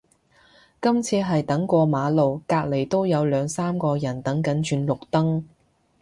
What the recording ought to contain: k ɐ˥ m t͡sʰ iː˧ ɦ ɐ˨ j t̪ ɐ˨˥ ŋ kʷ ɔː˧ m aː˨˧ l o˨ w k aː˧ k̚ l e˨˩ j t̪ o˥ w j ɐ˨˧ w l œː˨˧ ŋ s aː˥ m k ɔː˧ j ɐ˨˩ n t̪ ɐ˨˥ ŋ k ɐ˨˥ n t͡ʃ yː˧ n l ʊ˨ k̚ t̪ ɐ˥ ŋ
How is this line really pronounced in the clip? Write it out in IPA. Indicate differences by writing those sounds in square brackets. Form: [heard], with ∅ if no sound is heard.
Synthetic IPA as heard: k ɐ˥ m t͡sʰ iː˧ ɦ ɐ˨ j t̪ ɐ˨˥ ŋ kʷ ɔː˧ m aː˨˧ l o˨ w k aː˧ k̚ l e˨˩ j t̪ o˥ w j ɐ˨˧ w l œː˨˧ ŋ s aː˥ m k ɔː˧ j ɐ˨˩ n t̪ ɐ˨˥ ŋ k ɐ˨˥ n t͡ʃ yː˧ n l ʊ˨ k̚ t̪ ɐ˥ ŋ